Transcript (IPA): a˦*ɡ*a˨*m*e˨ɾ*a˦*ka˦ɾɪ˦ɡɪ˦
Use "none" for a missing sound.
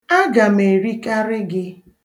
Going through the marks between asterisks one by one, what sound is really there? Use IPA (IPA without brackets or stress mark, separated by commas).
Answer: ɡ, m, i˦